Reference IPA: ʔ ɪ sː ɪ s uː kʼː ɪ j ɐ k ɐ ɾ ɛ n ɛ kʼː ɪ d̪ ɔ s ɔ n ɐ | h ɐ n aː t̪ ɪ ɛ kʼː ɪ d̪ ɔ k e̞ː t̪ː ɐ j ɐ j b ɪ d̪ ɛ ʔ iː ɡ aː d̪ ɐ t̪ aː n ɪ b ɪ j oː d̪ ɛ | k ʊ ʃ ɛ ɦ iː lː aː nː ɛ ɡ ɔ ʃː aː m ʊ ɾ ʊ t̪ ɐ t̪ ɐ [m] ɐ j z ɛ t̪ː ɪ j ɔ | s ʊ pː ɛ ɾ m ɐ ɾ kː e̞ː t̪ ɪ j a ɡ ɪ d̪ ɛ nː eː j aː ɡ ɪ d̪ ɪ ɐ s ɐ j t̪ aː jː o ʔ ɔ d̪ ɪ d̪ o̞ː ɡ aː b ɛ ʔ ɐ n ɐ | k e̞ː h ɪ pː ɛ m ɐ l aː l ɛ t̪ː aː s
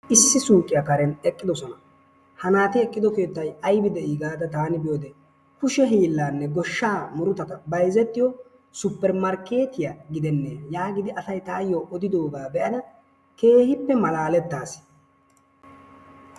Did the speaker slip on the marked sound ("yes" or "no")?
yes